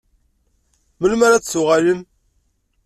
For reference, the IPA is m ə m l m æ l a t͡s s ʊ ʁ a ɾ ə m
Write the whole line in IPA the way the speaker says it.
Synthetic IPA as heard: m ə l m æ ɾ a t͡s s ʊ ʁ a l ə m